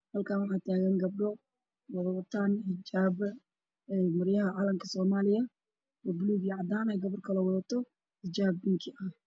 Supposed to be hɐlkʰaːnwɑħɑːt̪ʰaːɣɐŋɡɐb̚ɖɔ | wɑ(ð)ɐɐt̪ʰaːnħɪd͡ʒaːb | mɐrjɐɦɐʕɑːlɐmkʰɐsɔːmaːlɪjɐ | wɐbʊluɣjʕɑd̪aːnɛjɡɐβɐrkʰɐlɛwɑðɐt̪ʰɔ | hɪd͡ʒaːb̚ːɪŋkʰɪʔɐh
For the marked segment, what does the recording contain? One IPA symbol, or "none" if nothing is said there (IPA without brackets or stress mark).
ð